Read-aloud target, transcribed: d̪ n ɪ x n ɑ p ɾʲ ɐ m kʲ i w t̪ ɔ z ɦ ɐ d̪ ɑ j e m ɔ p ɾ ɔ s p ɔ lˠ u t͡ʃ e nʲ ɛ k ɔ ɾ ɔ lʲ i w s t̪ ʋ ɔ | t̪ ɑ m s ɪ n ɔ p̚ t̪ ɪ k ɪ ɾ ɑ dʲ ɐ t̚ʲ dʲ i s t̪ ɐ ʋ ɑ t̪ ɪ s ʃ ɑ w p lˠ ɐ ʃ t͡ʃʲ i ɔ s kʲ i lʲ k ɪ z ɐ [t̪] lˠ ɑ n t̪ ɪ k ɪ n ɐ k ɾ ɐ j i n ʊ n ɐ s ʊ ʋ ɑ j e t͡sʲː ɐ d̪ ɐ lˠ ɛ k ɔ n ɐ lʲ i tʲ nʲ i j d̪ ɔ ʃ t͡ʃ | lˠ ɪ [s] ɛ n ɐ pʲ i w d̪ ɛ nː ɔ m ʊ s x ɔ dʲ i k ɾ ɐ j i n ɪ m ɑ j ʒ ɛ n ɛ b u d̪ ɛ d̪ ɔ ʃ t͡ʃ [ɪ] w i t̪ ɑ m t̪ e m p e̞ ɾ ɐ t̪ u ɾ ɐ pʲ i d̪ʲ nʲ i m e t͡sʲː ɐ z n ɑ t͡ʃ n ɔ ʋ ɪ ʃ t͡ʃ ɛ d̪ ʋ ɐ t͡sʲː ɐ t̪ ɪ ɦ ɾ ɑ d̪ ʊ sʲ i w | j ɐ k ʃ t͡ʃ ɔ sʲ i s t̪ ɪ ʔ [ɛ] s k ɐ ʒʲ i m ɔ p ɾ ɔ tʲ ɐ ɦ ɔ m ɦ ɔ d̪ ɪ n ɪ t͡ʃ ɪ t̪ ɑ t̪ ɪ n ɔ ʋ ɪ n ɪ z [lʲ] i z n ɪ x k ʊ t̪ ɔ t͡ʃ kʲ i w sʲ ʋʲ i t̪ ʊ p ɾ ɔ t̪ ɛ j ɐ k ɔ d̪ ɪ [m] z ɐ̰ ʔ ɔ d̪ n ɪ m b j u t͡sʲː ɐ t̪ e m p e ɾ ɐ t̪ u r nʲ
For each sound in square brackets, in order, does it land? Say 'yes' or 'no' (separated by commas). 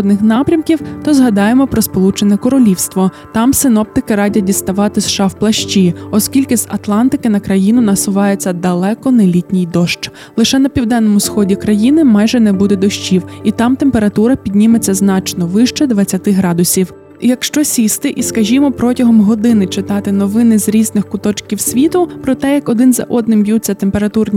yes, no, no, no, no, no